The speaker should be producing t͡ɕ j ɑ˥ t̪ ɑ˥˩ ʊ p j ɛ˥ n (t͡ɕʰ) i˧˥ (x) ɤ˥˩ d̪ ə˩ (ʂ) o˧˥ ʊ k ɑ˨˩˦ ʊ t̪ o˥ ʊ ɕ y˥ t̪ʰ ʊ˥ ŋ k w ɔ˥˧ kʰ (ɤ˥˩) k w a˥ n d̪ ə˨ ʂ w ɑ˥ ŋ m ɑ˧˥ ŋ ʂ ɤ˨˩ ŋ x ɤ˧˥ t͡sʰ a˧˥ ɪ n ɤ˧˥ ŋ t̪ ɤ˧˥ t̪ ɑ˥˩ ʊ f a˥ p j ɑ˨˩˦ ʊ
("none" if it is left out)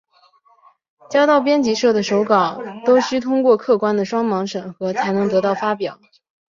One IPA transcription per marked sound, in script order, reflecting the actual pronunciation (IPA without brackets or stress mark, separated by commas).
t͡ɕ, ʂ, ʂ, ɤ˥˩